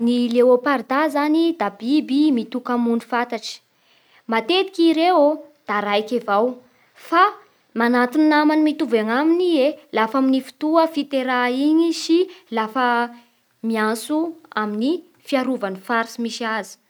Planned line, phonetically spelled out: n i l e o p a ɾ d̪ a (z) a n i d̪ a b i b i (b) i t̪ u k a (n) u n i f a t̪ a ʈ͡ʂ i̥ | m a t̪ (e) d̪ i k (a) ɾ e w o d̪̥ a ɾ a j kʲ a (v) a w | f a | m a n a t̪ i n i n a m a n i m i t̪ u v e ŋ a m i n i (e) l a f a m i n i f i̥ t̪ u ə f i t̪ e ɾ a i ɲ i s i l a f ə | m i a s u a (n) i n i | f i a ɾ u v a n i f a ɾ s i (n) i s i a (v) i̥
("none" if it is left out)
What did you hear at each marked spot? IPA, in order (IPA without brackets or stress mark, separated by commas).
z, m, m, e, i, v, e, m, m, z